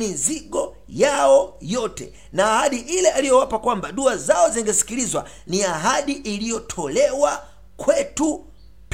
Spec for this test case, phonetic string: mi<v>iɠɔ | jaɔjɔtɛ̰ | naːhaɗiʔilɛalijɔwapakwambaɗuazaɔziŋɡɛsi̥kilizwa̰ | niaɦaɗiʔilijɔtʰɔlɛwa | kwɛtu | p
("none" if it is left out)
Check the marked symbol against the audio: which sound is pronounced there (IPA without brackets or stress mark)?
z